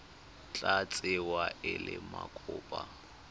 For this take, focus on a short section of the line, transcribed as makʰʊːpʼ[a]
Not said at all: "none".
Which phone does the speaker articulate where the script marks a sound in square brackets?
a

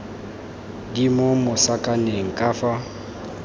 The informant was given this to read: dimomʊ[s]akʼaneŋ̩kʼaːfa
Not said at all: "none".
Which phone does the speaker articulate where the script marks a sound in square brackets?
s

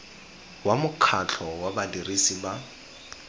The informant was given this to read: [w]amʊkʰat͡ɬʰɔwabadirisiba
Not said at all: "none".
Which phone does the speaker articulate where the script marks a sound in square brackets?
w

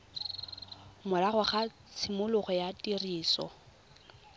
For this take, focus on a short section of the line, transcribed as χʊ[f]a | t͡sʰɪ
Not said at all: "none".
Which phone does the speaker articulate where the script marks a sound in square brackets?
χ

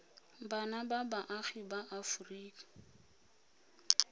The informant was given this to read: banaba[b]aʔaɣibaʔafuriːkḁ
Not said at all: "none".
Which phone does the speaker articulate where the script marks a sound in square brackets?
b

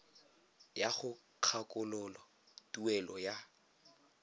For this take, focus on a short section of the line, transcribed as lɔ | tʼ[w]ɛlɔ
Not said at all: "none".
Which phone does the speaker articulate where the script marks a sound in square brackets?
u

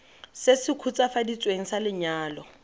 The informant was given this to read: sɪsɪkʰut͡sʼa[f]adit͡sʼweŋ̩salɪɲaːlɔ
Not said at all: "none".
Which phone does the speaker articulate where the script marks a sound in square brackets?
f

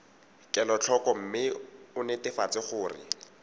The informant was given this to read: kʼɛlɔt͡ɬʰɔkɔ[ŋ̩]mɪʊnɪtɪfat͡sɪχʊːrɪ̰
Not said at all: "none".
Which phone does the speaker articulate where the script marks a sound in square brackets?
m̩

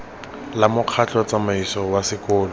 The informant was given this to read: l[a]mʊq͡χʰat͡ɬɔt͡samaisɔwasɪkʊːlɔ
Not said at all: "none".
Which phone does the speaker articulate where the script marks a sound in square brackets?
a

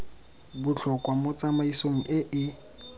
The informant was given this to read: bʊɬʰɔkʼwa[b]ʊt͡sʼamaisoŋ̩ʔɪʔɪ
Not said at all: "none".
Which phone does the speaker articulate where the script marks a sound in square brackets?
m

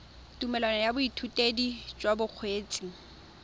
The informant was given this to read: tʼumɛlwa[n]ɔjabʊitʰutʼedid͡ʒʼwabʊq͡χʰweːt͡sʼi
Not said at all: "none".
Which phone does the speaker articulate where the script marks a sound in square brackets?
n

